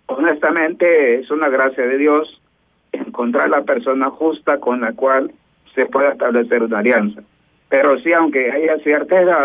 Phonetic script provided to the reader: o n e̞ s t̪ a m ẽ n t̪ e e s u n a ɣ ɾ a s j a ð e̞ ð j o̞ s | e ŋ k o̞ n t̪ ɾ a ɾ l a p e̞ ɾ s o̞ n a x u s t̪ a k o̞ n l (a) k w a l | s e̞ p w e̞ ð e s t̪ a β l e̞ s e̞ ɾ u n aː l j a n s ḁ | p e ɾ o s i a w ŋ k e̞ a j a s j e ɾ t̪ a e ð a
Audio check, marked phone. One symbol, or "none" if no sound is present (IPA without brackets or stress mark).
a